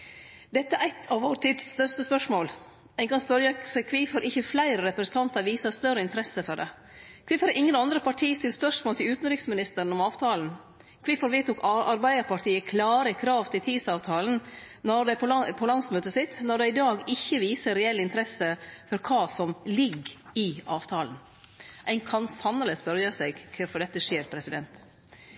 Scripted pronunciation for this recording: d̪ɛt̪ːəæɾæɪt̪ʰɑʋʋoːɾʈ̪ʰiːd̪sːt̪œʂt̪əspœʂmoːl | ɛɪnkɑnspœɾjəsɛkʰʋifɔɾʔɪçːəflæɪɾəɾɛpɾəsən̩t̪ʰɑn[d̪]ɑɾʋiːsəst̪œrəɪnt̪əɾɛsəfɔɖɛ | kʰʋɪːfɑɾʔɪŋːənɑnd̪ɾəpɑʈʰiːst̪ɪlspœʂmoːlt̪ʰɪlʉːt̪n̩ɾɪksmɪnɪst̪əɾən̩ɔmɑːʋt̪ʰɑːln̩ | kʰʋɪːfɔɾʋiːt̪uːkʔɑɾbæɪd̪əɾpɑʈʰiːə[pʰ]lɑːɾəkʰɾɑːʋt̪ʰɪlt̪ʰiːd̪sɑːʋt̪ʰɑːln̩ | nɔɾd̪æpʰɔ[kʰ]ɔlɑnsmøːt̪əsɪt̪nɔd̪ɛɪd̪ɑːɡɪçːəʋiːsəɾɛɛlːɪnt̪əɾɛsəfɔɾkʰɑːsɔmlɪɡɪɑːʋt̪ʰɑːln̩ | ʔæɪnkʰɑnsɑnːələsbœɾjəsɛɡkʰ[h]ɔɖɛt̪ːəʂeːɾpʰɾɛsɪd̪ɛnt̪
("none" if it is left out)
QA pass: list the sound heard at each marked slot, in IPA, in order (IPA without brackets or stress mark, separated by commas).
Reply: t̪, kʰ, pʰ, f